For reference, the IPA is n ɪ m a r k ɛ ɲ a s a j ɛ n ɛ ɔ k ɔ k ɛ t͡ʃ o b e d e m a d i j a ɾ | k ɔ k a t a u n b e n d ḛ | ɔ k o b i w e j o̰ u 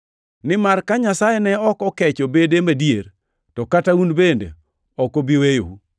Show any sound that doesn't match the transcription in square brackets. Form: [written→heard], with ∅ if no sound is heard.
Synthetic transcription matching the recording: n ɪ m a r k [ɛ→a] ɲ a s a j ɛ n ɛ ɔ k ɔ k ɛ t͡ʃ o b e d e m a d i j [a→e] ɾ | [k→t] ɔ k a t a u n b e n d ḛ | ɔ k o b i w e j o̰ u